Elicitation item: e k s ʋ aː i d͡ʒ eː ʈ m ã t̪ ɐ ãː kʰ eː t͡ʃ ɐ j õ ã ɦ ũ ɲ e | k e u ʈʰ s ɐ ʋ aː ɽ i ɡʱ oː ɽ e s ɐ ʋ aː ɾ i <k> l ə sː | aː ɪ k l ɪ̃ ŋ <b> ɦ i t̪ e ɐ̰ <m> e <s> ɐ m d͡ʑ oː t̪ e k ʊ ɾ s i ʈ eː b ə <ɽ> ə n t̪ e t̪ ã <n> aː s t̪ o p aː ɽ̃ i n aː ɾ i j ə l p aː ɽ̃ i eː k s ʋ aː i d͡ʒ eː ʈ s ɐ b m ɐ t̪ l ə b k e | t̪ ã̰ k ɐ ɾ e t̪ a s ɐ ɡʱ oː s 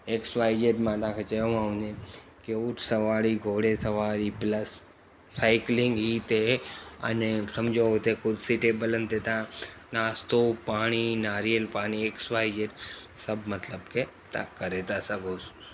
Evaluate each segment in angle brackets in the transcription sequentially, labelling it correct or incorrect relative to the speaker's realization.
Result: incorrect: p, incorrect: ɡ, incorrect: n, correct, incorrect: l, correct

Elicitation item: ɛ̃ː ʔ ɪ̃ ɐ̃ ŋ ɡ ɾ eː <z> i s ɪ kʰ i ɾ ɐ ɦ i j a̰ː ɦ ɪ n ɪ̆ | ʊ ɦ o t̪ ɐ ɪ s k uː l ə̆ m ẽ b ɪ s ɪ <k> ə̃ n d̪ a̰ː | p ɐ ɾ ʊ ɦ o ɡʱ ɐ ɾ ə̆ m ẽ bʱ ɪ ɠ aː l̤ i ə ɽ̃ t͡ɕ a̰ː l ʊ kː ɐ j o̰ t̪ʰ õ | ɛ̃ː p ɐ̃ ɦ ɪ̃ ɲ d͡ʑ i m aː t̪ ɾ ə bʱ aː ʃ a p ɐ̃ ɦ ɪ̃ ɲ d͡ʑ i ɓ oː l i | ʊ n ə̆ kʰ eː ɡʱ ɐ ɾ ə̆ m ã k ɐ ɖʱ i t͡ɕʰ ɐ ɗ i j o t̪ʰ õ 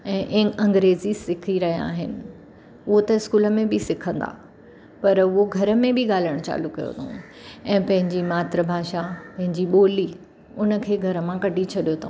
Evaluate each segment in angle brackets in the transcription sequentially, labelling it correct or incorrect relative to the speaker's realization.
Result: correct, incorrect: kʰ

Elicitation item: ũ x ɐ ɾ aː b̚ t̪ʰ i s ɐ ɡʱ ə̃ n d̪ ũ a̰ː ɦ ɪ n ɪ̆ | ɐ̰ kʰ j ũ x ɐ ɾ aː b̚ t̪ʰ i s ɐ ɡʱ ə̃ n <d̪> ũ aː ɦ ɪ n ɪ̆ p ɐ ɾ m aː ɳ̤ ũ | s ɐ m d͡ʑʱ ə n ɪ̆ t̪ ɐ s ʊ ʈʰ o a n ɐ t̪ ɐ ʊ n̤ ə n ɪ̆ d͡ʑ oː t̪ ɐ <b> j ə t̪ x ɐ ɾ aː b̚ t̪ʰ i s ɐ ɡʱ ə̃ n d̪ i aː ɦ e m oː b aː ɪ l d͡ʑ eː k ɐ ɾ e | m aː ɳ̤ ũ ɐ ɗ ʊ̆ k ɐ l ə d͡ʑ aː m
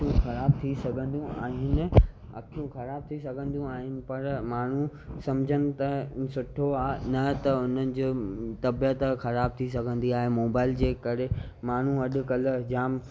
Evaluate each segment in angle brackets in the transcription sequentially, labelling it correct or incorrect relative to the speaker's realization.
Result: correct, correct

